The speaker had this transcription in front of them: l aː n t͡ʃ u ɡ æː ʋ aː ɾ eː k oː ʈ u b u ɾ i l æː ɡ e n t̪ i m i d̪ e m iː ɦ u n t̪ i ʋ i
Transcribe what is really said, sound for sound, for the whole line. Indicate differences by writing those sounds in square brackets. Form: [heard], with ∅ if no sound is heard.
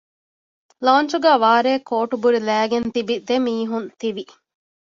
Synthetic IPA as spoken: l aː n t͡ʃ u ɡ æː ʋ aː ɾ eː k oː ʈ u b u ɾ i l æː ɡ e n t̪ i [b] i d̪ e m iː ɦ u n t̪ i ʋ i

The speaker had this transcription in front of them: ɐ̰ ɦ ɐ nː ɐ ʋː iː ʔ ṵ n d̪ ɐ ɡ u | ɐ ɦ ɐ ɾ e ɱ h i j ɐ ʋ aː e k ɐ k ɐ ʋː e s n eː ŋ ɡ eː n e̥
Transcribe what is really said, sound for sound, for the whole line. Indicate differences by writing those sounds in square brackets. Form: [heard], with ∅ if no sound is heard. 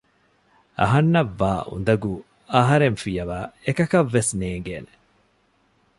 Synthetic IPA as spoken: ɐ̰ ɦ ɐ nː ɐ ʋː [aː] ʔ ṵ n d̪ ɐ ɡ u | ɐ ɦ ɐ ɾ e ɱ [f] i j ɐ ʋ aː e k ɐ k ɐ ʋː e s n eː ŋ ɡ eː n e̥

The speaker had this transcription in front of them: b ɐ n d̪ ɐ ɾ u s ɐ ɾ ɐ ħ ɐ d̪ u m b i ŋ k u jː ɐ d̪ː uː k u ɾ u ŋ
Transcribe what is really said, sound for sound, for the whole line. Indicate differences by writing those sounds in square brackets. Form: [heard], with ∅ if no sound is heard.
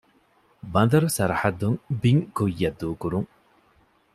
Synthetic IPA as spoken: b ɐ n d̪ ɐ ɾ u s ɐ ɾ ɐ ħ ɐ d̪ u [ŋ] b i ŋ k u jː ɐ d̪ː uː k u ɾ u ŋ

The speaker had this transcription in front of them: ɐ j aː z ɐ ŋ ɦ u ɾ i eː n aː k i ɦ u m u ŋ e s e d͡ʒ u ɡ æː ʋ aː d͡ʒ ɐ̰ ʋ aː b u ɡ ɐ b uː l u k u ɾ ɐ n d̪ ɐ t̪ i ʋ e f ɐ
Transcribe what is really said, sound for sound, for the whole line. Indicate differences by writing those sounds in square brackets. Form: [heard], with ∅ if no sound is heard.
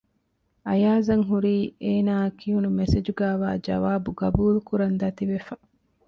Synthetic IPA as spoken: ɐ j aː z ɐ ŋ ɦ u ɾ [iː] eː n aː k i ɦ u [n] u [m] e s e d͡ʒ u ɡ æː ʋ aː d͡ʒ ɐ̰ ʋ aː b u ɡ ɐ b uː l u k u ɾ ɐ n d̪ ɐ t̪ i ʋ e f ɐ

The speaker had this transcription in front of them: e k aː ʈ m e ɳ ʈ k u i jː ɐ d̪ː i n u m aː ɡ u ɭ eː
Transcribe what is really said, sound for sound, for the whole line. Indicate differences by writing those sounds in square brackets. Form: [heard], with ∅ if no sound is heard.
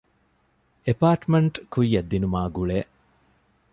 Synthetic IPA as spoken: e [p] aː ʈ m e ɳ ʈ k u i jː ɐ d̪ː i n u m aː ɡ u ɭ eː

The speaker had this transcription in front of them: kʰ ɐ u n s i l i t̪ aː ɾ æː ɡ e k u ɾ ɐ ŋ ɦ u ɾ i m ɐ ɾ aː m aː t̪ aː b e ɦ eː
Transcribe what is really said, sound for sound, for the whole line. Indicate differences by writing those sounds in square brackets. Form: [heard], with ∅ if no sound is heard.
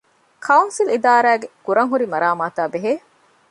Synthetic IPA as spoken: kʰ ɐ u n s i l i [d̪] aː ɾ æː ɡ e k u ɾ ɐ ŋ ɦ u ɾ i m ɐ ɾ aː m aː t̪ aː b e ɦ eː

